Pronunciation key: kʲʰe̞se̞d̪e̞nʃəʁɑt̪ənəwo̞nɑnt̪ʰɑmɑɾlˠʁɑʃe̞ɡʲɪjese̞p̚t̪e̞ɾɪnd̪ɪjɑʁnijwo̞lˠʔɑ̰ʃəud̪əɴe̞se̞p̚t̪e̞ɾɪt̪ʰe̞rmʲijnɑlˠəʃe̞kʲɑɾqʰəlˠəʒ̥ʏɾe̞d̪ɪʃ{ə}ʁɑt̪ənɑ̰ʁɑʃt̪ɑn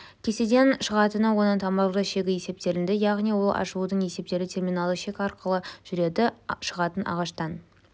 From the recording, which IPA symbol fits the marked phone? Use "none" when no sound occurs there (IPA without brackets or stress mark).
ə